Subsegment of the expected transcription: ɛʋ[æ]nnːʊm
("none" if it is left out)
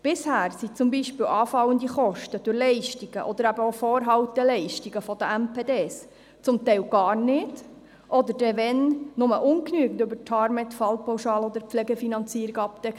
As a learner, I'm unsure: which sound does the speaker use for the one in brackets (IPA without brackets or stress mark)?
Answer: ɛ